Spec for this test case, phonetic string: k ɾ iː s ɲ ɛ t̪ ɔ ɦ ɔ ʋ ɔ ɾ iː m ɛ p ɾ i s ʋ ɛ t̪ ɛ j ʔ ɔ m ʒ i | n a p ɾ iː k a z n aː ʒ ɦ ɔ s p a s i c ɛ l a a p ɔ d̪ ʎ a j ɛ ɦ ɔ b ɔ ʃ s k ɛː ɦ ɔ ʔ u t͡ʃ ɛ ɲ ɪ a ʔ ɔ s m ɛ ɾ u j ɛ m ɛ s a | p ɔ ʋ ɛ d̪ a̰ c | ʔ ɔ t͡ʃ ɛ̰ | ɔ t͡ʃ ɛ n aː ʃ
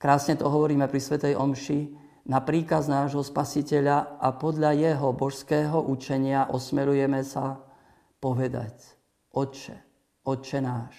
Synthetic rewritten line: k ɾ aː s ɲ ɛ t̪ ɔ ɦ ɔ ʋ ɔ ɾ iː m ɛ p ɾ i s ʋ ɛ t̪ ɛ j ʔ ɔ m ʃ i | n a p ɾ iː k a z n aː ʒ ɦ ɔ s p a s i c ɛ ʎ a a p ɔ d̪ ʎ a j ɛ ɦ ɔ b ɔ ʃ s k ɛː ɦ ɔ ʔ u t͡ʃ ɛ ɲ ɪ a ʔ ɔ s m ɛ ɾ u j ɛ m ɛ s a | p ɔ ʋ ɛ d̪ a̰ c | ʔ ɔ t͡ʃ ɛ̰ | ɔ t͡ʃ ɛ n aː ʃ